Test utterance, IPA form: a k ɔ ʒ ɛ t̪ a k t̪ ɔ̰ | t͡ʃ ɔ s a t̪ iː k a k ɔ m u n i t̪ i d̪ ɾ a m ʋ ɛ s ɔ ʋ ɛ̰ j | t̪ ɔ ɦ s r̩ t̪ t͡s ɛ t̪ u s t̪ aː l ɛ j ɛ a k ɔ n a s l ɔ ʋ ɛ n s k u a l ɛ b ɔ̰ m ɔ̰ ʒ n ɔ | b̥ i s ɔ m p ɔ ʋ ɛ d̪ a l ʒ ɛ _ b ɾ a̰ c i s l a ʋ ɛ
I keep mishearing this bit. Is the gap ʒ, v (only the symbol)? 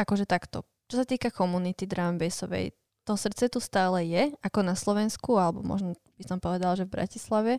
v